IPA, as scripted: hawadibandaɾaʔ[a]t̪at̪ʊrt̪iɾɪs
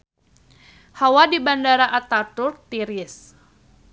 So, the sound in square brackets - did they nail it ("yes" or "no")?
yes